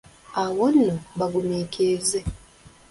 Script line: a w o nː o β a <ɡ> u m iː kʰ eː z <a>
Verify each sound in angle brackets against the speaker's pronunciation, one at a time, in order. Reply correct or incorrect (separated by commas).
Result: correct, incorrect